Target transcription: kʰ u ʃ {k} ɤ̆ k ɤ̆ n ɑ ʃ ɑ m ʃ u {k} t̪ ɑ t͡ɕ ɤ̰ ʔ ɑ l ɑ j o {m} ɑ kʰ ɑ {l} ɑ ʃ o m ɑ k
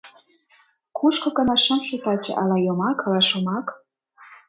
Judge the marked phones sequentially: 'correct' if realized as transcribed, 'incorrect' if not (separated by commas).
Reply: correct, incorrect, correct, correct